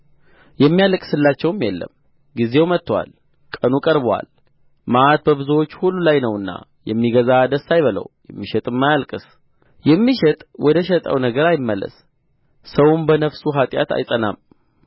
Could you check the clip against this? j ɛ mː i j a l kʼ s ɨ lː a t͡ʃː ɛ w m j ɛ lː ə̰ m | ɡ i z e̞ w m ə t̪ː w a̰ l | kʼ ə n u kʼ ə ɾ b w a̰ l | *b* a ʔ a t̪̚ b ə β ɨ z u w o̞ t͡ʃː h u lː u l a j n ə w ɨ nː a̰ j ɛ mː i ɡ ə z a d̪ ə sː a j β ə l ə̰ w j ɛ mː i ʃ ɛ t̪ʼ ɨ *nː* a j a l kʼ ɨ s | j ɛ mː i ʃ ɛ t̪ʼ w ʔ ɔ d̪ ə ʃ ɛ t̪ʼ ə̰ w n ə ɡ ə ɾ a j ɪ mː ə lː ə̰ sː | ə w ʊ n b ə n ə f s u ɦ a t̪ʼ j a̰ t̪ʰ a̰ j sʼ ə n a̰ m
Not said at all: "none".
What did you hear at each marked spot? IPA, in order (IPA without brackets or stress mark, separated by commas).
m, mː